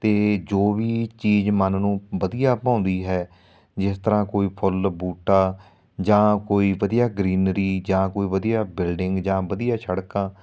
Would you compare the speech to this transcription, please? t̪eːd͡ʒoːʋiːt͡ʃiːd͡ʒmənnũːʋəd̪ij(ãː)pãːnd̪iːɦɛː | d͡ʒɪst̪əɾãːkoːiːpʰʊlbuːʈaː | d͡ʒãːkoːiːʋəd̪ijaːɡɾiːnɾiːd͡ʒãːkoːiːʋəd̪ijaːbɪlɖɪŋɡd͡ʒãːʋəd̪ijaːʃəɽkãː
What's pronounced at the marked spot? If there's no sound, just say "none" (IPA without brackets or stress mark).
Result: aː